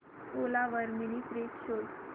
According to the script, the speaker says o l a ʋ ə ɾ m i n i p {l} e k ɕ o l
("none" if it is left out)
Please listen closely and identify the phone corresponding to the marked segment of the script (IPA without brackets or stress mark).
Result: ɾ